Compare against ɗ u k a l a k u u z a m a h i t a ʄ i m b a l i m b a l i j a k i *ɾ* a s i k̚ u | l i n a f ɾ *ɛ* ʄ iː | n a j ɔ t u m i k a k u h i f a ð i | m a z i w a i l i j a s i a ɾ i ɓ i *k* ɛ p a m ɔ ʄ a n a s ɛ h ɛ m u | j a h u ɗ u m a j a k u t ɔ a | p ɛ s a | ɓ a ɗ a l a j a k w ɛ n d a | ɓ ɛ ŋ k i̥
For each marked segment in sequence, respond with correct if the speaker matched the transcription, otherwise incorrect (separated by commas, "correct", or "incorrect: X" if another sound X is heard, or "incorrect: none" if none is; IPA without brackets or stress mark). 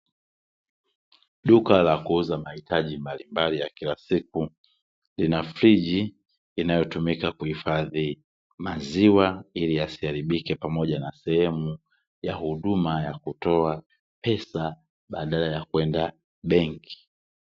incorrect: l, incorrect: i, correct